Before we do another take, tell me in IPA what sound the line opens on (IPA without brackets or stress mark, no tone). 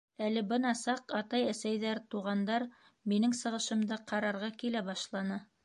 æ